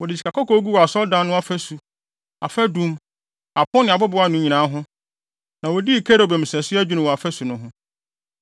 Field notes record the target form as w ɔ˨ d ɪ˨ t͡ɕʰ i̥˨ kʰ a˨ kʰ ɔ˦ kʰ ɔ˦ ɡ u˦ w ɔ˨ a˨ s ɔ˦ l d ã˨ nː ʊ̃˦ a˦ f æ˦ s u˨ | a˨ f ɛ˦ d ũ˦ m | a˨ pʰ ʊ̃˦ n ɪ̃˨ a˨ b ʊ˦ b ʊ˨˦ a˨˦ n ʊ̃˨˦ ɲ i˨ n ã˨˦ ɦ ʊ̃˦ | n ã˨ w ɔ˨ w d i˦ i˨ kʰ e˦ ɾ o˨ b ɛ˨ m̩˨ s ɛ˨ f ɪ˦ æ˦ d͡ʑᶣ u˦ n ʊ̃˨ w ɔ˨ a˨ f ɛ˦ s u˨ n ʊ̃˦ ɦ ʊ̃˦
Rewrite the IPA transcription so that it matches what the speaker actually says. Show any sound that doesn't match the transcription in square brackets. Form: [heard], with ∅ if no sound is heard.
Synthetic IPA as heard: w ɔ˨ d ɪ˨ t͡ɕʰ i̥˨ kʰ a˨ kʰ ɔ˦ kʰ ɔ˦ ɡ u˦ w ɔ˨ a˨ s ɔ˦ l d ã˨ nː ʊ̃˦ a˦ f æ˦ s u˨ | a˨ f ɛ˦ d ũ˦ m | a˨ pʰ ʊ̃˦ n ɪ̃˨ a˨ b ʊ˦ b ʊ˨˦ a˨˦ n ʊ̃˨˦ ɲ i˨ n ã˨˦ ɦ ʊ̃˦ | n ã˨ w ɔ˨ [∅] d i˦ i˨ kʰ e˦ ɾ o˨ b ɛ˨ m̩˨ s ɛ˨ [s] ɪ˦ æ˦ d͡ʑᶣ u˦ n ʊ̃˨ w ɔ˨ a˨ f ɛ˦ s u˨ n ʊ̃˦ ɦ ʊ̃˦